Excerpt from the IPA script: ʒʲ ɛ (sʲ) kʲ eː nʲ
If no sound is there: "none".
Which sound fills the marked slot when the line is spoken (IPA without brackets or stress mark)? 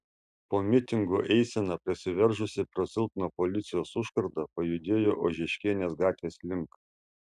ʃʲ